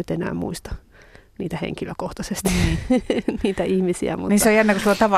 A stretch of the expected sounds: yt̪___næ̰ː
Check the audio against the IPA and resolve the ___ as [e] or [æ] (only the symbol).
e